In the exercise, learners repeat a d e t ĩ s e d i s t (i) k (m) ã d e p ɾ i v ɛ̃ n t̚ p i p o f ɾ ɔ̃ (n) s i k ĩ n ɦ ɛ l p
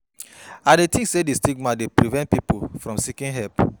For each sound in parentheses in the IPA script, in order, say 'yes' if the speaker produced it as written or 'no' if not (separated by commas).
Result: yes, yes, no